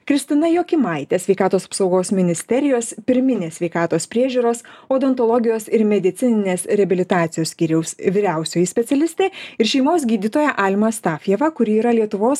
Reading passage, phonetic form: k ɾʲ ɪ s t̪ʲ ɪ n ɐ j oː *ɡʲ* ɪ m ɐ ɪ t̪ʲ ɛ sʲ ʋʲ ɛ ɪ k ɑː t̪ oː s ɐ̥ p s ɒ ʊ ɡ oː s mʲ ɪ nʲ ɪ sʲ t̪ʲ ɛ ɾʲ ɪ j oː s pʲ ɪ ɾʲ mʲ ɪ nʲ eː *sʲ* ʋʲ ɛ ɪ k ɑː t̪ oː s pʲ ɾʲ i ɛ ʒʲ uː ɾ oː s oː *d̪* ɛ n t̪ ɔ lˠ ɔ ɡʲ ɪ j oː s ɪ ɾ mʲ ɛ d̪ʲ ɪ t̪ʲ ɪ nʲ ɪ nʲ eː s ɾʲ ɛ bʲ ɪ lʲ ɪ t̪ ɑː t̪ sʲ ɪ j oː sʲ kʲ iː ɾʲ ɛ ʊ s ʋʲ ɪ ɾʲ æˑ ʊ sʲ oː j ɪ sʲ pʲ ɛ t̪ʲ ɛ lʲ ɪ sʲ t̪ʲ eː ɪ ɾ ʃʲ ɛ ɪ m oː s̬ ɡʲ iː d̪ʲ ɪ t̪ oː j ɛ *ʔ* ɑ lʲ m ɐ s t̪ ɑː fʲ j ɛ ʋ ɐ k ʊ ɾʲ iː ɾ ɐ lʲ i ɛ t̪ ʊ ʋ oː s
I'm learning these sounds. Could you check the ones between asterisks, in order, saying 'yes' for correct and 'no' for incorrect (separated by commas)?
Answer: no, yes, yes, yes